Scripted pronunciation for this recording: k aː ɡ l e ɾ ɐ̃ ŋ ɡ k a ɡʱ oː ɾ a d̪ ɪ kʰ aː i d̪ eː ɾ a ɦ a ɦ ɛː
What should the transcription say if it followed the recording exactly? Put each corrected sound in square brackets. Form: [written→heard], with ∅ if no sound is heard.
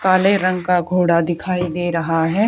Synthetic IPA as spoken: k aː [ɡ→∅] l e ɾ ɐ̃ ŋ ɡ k a ɡʱ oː [ɾ→ɽ] a d̪ ɪ kʰ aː i d̪ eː ɾ [a→ɐ] ɦ a ɦ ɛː